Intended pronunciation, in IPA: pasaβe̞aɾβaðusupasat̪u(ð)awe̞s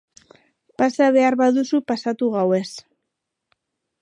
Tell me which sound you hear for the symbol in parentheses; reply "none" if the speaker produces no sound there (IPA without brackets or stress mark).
ɣ